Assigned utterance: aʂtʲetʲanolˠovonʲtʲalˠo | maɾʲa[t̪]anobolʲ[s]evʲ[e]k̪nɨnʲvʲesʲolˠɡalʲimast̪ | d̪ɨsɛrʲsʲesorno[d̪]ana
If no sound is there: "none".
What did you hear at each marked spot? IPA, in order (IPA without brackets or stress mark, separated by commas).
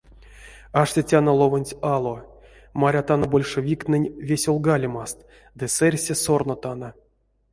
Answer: t̪, ʂ, i, t̪